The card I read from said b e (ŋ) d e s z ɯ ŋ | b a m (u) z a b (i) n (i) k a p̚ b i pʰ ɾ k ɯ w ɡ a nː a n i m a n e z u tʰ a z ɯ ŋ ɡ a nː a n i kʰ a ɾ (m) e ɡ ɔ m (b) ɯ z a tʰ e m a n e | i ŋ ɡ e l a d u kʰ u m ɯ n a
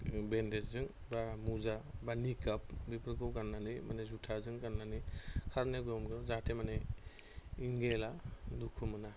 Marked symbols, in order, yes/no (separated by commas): no, yes, no, yes, no, no